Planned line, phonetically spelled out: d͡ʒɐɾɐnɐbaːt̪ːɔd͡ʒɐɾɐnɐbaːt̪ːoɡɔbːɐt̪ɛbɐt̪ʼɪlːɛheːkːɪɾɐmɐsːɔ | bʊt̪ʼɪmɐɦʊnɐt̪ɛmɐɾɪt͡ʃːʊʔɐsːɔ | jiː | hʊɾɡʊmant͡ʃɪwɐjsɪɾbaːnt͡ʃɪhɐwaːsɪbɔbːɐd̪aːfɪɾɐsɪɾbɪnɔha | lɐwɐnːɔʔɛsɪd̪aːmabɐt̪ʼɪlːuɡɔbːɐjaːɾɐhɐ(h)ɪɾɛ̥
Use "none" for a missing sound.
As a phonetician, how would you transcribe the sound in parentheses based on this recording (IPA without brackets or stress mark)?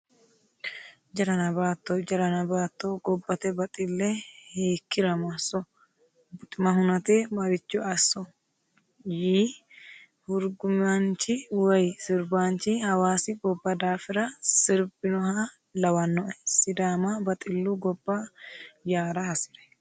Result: s